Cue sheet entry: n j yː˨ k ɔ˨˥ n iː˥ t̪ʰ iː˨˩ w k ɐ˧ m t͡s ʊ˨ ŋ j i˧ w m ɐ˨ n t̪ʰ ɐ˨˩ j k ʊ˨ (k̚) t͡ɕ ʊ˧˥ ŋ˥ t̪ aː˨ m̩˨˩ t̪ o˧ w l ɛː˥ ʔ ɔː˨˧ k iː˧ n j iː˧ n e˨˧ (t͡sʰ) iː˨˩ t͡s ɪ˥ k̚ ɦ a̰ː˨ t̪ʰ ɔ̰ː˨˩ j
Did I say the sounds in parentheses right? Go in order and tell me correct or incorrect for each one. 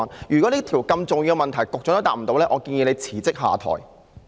correct, correct

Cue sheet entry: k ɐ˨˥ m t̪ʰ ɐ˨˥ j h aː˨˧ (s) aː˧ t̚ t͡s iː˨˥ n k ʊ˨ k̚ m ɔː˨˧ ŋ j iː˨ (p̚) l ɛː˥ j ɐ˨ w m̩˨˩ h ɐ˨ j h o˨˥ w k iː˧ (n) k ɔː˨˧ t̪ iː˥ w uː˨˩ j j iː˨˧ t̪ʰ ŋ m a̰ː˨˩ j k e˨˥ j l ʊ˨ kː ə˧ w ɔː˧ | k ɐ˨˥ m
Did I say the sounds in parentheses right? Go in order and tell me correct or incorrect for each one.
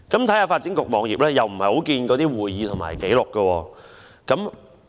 incorrect, correct, correct

